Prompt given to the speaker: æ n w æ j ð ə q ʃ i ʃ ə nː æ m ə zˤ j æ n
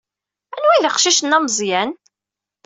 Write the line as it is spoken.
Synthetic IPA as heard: æ n w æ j ð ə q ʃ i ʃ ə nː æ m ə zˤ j æ n